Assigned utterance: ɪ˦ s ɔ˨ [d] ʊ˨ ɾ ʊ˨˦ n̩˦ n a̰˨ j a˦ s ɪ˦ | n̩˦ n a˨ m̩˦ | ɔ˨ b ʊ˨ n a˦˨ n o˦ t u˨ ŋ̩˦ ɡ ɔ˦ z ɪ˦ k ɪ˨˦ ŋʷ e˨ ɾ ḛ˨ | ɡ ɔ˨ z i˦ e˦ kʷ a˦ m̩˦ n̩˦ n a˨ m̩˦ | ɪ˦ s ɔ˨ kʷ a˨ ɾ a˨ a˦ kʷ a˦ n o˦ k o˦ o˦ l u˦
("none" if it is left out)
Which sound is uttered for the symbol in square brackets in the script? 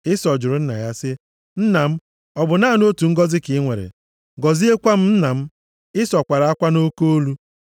d͡ʒ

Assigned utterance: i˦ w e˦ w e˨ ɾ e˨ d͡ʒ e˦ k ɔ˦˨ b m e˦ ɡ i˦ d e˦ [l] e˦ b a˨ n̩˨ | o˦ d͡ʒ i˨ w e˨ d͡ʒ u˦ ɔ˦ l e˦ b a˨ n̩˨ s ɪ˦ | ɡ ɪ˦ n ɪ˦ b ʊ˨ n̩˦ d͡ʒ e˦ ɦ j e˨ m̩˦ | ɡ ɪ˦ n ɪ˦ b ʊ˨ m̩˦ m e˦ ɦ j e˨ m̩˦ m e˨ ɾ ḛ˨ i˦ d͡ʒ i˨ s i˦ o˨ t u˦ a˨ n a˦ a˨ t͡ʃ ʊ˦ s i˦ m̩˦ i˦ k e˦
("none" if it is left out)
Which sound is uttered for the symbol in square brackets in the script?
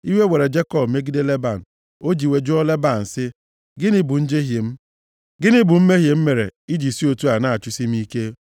l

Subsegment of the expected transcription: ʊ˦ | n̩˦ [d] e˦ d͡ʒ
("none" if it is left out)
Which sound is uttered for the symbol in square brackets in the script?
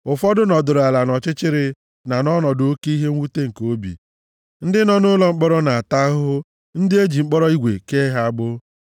d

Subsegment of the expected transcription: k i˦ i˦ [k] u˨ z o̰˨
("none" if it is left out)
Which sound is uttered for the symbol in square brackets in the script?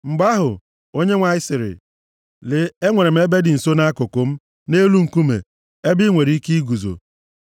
ɡ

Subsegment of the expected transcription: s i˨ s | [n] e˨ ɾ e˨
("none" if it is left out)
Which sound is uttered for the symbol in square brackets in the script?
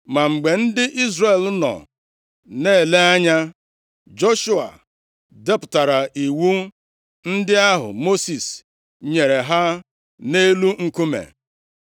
ɲ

